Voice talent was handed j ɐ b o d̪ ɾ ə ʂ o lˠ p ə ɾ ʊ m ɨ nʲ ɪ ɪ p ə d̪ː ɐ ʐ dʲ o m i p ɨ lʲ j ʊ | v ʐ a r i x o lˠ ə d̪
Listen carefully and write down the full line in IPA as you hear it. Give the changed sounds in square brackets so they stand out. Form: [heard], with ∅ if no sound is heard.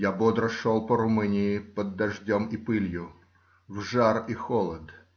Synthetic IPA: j [a] b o d̪ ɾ ə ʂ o lˠ p ə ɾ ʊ m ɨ nʲ ɪ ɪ p ə d̪ː ɐ ʐ dʲ o m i p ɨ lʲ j ʊ | v ʐ a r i x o lˠ ə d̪